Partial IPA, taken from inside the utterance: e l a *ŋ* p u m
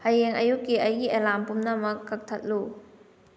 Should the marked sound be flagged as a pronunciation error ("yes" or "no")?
yes